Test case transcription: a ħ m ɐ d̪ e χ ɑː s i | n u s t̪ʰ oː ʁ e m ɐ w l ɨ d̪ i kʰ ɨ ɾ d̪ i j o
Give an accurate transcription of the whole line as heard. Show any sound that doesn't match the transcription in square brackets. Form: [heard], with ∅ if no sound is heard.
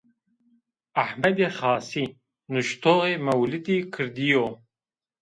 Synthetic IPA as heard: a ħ m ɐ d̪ e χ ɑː s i | n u [ʃ] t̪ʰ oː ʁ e m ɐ w l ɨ d̪ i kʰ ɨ ɾ d̪ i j o

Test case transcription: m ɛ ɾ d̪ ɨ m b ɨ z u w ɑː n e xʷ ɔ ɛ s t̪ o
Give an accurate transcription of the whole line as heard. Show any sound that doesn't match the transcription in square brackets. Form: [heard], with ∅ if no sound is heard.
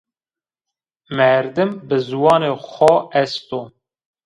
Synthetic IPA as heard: m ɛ ɾ d̪ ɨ m b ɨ z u w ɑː n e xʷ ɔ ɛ s t̪ o

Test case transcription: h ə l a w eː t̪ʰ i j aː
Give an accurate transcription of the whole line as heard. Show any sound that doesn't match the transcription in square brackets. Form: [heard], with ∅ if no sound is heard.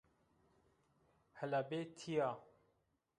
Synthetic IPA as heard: h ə l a [b] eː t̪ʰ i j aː

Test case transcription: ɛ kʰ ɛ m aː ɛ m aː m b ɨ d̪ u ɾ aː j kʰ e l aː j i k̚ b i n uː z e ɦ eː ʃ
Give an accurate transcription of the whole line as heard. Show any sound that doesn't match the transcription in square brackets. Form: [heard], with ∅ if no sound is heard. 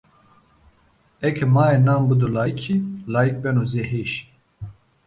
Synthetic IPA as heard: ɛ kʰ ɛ m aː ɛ [n] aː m b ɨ d̪ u [l] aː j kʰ [i] l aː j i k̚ b [ɛ] n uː z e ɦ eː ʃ

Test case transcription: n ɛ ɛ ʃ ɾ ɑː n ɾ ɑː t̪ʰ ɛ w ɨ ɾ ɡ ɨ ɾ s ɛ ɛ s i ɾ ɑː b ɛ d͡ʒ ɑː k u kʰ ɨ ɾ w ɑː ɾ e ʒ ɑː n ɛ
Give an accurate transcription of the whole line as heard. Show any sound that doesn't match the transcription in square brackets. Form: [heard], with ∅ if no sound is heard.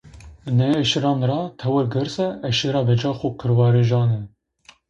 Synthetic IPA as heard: n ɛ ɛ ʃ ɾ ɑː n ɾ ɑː t̪ʰ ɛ w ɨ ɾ ɡ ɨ ɾ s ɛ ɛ [ʃ] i ɾ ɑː b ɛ d͡ʒ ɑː [x] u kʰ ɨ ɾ w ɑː ɾ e ʒ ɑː n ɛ

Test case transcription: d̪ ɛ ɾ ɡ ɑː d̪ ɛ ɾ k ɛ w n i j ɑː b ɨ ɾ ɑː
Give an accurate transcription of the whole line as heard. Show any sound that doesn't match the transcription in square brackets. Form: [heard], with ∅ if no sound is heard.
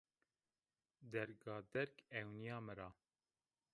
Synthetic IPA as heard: d̪ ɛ ɾ ɡ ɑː d̪ ɛ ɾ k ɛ w n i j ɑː [m] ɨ ɾ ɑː

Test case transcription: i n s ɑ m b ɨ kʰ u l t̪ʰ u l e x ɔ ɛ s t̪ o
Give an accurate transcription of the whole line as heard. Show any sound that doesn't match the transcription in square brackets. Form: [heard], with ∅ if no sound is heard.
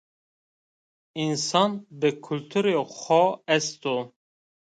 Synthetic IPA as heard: i n s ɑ [n] b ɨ kʰ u l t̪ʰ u [ɾ] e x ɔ ɛ s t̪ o

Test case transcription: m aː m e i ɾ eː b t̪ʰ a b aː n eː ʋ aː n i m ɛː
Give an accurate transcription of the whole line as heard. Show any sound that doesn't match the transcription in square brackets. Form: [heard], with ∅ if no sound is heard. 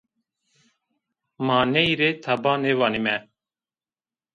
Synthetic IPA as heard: m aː [n] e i ɾ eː [∅] t̪ʰ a b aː n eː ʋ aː n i m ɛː

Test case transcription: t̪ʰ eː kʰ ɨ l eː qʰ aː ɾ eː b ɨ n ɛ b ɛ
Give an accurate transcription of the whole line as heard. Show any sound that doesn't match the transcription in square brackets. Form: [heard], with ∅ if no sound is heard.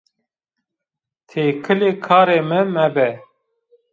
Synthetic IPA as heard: t̪ʰ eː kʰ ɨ l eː [kʰ] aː ɾ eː [m] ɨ [m] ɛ b ɛ

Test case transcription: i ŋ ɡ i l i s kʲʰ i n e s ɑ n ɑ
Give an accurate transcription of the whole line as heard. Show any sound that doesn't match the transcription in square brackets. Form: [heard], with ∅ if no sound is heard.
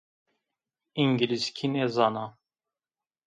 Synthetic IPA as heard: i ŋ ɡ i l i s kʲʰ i n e [z] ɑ n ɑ

